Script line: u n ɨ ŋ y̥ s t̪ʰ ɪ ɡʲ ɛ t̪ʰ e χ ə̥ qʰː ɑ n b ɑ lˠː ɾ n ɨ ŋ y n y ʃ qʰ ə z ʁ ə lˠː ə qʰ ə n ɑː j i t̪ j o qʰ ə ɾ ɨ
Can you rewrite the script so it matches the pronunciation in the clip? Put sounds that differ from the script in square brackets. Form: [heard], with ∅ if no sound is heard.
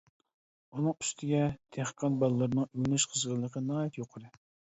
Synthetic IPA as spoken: u n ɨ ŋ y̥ s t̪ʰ ɪ ɡʲ ɛ t̪ʰ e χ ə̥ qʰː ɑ n b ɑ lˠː ɾ n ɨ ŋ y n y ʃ qʰ ə z ʁ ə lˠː ə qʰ ə n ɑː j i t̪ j o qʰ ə ɾ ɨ